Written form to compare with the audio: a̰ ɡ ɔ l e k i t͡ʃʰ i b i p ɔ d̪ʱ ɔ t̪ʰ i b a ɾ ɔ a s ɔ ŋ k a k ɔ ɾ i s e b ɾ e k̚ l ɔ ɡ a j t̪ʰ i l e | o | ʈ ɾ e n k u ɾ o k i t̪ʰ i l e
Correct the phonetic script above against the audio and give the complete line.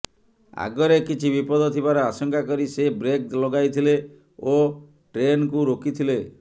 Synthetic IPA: a̰ ɡ ɔ ɾ e k i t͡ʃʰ i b i p ɔ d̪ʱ ɔ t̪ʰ i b a ɾ ɔ a s ɔ ŋ k a k ɔ ɾ i s e b ɾ e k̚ l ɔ ɡ a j t̪ʰ i l e | o | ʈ ɾ e n k u ɾ o k i t̪ʰ i l e